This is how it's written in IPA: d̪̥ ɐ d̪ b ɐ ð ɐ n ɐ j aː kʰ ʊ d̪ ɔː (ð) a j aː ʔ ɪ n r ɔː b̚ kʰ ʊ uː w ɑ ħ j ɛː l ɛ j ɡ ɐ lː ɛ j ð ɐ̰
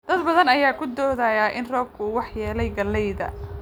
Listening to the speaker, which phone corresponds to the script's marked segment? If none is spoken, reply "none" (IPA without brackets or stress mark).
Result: ð